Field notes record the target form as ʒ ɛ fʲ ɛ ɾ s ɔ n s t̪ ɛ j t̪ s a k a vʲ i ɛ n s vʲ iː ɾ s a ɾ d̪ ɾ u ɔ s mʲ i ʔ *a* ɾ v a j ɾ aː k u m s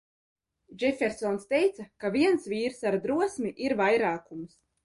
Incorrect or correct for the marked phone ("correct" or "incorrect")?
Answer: incorrect